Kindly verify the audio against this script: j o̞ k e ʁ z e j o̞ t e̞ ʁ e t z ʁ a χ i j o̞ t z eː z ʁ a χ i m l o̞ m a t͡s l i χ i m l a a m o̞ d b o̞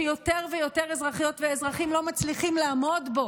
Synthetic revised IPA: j o̞ t e ʁ v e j o̞ t e̞ ʁ e z ʁ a χ i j o̞ t v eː z ʁ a χ i m l o̞ m a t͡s l i χ i m l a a m o̞ d b o̞

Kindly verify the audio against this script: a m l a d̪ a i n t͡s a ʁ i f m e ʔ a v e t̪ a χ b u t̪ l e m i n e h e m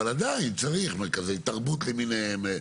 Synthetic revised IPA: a l a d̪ a i n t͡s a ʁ i χ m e k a z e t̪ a ʁ b u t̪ l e m i n e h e m

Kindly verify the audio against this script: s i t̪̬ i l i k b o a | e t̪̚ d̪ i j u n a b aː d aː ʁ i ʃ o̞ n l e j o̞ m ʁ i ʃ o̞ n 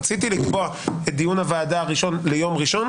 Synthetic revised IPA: t͡s i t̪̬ i l i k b o a | e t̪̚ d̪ i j u n a v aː d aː ʁ i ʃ o̞ n l e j o̞ m ʁ i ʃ o̞ n

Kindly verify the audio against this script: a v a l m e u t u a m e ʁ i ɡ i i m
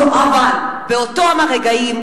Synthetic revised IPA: a v a l b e o t o a m a ʁ e ɡ a i m

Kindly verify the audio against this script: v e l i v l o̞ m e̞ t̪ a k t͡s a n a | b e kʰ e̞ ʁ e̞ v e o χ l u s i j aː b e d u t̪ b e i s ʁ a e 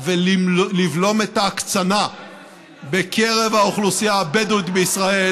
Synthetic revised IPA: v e l i v l o̞ m e̞ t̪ a k t͡s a n a | b e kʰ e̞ ʁ e̞ v a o χ l u s i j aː b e d u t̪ b e i s ʁ a e

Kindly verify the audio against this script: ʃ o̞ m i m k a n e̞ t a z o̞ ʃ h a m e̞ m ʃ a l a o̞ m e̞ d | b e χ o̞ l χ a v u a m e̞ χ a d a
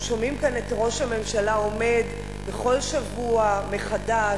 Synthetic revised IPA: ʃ o̞ m i m k a n e̞ t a ʁ o̞ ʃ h a m e̞ m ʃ a l a o̞ m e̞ d | b e χ o̞ l ʃ a v u a m e̞ χ a d a

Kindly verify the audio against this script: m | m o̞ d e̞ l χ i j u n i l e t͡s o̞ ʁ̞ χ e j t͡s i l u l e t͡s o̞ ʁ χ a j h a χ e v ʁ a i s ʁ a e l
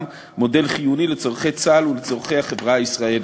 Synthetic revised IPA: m | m o̞ d e̞ l χ i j u n i l e t͡s o̞ ʁ̞ χ e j t͡s a l u l e t͡s o̞ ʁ χ e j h a χ e v ʁ a i s ʁ a e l

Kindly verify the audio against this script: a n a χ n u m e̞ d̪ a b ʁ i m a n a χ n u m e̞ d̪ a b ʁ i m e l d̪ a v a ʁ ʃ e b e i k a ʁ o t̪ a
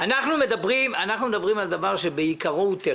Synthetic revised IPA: a n a χ n u m e̞ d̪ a b ʁ i m a n a χ n u m e̞ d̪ a b ʁ i m a l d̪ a v a ʁ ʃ e b e i k a ʁ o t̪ e

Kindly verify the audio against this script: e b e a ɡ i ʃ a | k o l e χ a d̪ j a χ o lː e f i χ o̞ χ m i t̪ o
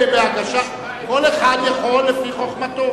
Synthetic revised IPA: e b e a ɡ a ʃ a | k o l e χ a d̪ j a χ o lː e f i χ o̞ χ m a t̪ o

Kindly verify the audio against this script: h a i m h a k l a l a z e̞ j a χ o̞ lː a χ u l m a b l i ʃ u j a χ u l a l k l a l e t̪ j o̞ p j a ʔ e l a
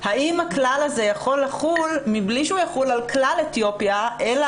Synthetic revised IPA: h a i m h a k l a l a z e̞ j a χ o̞ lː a χ u l m i b l i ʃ u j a χ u l a l k l a l e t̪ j o̞ p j a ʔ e l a

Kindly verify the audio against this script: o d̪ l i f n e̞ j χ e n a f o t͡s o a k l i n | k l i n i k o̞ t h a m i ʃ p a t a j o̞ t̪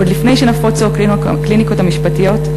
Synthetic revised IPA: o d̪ l i f n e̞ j ʃ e n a f o t͡s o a k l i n | k l i n i k o̞ t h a m i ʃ p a t i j o̞ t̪

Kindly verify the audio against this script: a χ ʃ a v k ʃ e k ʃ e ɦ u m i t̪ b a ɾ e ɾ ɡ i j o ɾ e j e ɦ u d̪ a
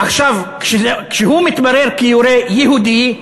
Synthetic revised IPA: a χ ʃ a v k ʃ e k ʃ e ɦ u m i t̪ b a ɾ e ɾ k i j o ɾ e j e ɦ u d̪ i

